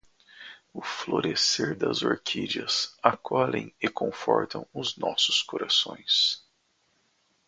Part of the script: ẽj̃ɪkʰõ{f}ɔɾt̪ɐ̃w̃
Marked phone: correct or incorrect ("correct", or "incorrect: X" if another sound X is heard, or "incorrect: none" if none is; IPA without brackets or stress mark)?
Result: correct